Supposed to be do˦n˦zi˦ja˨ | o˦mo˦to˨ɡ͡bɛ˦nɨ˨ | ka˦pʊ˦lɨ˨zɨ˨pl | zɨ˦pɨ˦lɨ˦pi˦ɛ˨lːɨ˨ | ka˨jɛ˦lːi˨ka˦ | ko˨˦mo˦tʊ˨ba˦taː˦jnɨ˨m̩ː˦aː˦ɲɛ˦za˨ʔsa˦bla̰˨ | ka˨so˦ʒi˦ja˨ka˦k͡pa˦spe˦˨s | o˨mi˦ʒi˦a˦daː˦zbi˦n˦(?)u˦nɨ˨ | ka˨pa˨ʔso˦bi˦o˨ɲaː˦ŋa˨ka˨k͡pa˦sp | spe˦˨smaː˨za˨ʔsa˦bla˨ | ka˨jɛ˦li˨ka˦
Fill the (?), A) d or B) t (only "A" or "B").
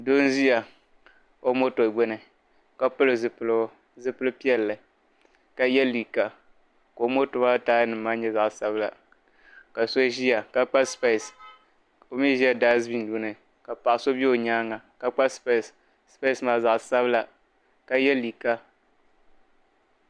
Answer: A